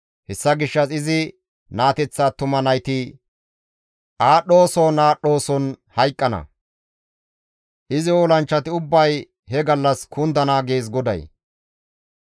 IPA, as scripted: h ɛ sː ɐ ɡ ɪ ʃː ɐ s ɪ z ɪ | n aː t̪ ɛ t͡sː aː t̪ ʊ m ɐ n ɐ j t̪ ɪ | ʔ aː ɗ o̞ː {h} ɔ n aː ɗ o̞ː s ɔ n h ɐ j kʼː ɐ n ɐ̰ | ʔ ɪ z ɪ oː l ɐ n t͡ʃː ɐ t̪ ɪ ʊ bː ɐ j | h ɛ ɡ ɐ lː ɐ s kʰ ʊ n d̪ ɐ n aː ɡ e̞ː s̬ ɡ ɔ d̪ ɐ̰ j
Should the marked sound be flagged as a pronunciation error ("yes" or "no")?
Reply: yes